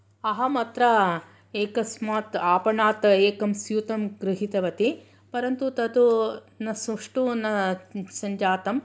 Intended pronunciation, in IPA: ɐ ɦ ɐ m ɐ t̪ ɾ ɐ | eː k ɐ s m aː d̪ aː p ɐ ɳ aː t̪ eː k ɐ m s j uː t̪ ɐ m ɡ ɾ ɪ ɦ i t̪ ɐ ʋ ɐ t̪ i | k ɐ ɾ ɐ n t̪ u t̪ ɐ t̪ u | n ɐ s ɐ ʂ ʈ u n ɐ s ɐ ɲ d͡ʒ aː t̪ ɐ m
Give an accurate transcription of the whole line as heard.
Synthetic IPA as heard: ɐ ɦ ɐ m ɐ t̪ ɾ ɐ | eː k ɐ s m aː t̪ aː p ɐ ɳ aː t̪ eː k ɐ m s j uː t̪ ɐ m ɡ ɾ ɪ ɦ i t̪ ɐ ʋ ɐ t̪ i | p ɐ ɾ ɐ n t̪ u t̪ ɐ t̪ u | n ɐ s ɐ ʂ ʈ u n ɐ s ɐ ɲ d͡ʒ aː t̪ ɐ m